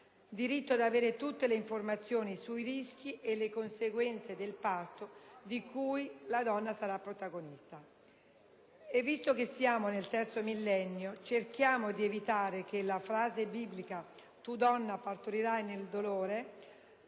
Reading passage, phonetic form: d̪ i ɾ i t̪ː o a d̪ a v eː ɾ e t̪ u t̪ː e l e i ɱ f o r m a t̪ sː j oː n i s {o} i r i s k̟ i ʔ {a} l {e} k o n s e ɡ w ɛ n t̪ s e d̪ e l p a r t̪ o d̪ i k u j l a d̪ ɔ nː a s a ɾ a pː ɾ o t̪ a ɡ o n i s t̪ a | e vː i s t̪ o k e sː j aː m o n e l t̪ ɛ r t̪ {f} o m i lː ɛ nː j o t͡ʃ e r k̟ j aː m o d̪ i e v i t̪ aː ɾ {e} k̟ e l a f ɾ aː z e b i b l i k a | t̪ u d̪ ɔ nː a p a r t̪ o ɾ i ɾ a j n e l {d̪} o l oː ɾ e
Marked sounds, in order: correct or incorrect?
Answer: incorrect, incorrect, correct, incorrect, correct, correct

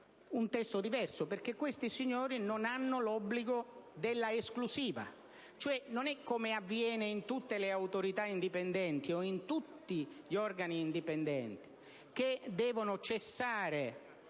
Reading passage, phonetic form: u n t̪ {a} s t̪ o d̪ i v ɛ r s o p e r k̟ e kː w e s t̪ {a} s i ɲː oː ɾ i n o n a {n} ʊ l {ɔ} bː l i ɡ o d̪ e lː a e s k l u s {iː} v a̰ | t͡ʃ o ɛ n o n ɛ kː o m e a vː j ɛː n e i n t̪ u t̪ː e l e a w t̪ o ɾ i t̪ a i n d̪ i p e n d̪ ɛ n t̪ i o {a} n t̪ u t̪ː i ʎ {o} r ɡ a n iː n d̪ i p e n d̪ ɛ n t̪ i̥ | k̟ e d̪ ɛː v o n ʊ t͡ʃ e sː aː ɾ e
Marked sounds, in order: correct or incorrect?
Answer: incorrect, incorrect, incorrect, correct, correct, incorrect, incorrect

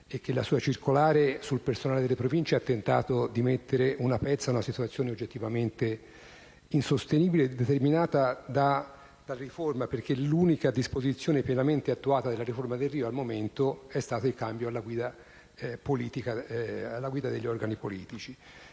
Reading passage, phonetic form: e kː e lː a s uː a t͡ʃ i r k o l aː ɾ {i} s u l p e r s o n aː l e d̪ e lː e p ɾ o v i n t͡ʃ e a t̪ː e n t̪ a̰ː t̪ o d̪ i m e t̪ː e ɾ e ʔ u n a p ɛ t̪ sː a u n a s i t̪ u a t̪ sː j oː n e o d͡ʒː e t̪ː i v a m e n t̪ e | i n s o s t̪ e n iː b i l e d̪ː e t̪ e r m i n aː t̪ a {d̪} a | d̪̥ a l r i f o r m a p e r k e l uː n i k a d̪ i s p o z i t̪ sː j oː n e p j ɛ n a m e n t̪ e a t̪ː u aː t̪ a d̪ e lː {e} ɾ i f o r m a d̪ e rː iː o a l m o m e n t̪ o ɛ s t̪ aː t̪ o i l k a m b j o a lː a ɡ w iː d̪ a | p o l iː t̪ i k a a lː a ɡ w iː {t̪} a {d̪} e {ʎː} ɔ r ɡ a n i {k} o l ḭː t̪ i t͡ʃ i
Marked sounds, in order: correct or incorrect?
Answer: incorrect, correct, incorrect, incorrect, correct, correct, incorrect

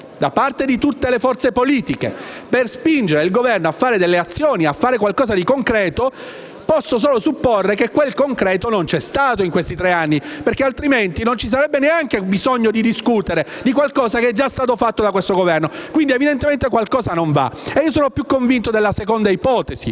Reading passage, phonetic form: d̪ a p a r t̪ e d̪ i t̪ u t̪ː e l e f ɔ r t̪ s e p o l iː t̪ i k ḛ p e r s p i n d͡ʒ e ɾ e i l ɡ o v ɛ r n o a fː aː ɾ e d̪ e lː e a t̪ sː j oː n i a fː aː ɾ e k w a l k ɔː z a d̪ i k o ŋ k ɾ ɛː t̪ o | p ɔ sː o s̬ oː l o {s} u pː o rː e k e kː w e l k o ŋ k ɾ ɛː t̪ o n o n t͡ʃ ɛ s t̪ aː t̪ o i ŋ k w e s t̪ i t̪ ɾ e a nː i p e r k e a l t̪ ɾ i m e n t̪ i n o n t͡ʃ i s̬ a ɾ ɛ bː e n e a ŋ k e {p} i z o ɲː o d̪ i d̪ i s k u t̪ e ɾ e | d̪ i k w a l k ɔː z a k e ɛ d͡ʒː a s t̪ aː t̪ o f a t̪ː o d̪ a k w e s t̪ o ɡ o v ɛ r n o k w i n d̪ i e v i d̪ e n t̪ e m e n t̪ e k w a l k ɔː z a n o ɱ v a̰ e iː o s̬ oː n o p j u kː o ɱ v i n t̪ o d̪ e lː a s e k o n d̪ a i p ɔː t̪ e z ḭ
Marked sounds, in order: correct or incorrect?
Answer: correct, incorrect

